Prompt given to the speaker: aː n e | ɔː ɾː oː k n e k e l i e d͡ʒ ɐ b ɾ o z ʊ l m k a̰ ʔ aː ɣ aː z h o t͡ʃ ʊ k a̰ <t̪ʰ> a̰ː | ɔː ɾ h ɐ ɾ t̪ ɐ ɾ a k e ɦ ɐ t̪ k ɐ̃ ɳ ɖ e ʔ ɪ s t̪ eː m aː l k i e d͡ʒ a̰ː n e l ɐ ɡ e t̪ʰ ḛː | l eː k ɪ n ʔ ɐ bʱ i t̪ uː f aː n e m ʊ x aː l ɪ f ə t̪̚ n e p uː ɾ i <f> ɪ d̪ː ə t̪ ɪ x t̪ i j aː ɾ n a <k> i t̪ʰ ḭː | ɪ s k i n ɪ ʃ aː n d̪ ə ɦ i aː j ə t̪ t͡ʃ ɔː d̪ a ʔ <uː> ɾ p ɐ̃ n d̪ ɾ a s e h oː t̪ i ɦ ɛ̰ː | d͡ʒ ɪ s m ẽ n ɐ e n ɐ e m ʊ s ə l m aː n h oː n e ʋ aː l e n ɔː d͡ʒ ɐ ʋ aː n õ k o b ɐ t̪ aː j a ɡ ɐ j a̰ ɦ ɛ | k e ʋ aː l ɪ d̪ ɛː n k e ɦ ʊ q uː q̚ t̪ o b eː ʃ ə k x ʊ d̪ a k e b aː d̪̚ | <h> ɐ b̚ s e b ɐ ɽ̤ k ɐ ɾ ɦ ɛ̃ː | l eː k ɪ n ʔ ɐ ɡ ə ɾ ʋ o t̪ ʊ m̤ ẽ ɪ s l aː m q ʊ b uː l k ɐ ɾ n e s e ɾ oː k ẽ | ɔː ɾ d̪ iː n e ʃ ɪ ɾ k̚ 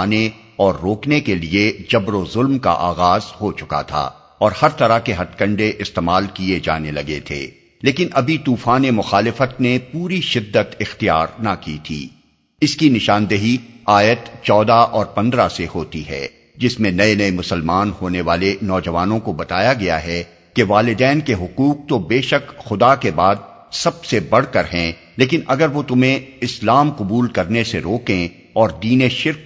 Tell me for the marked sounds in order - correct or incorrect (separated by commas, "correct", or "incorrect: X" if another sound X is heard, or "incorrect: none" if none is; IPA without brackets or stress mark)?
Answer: correct, incorrect: ʃ, correct, incorrect: ɔː, incorrect: s